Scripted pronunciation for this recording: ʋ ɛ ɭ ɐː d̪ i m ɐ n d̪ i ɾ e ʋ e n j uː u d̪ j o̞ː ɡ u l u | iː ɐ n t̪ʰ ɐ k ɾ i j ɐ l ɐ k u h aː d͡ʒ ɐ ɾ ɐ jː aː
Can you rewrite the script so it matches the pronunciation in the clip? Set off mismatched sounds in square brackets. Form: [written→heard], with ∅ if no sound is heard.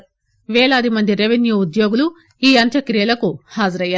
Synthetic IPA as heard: ʋ [ɛ→ɛː] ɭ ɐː d̪ i m ɐ n d̪ i ɾ e ʋ e n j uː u d̪ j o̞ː ɡ u l u | iː ɐ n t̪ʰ ɐ k ɾ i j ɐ l ɐ k u h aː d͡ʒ ɐ ɾ ɐ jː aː